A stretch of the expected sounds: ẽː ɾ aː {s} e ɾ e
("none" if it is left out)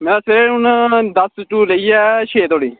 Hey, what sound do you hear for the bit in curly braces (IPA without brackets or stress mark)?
s